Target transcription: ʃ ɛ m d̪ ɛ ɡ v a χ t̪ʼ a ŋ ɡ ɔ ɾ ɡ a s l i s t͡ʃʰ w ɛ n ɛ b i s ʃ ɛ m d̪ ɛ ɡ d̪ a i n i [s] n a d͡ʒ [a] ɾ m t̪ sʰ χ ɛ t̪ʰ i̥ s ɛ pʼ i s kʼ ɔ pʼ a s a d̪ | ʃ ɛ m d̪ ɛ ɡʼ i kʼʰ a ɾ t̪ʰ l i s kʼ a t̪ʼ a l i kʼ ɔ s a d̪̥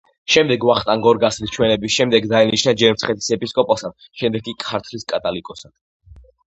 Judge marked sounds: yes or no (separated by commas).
no, no